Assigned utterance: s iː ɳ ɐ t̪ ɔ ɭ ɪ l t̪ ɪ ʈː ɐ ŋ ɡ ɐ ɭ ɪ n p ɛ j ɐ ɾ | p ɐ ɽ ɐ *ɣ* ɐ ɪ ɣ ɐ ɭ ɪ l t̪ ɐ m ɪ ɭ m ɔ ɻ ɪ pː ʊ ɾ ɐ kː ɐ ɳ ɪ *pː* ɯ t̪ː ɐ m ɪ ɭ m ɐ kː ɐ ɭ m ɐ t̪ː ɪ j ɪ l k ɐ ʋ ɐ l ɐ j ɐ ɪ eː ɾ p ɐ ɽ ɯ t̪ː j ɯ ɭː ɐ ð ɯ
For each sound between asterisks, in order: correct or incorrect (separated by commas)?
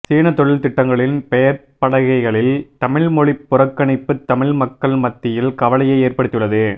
correct, correct